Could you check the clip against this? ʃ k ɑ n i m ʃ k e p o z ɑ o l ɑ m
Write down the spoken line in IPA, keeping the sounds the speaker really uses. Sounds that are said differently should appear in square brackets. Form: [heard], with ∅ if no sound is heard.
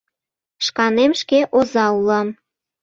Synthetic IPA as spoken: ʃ k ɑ n [e] m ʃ k e [ʔ] o z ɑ [u] l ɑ m